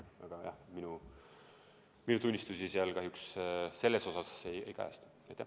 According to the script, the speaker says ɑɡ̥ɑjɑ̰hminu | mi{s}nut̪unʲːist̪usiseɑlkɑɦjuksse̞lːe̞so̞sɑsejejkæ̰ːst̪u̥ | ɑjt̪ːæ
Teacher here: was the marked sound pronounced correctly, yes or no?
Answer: no